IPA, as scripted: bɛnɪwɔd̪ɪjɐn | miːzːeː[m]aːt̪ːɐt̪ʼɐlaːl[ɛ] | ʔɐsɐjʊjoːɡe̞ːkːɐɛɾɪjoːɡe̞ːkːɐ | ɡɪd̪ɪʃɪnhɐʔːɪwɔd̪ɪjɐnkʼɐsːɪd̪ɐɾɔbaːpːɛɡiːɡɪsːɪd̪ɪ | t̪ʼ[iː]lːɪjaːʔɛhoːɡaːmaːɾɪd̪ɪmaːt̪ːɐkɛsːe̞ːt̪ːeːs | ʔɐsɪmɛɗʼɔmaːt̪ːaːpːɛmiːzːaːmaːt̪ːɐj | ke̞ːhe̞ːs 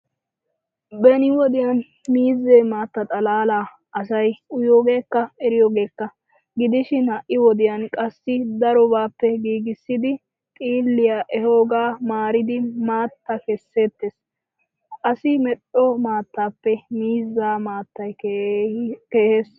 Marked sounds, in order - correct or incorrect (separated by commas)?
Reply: correct, incorrect, correct